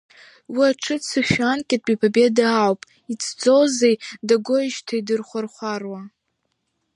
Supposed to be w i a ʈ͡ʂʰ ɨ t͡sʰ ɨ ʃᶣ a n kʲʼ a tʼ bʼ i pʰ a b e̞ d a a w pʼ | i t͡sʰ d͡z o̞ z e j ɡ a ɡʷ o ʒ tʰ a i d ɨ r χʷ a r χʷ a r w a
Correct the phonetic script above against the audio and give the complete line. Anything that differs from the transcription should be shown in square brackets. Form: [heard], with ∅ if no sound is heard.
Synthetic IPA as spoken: w i a ʈ͡ʂʰ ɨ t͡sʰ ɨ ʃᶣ a n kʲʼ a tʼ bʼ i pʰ a b e̞ d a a w pʼ | i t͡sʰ d͡z o̞ z e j [d] a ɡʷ o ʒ tʰ a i d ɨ r χʷ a r χʷ a r w a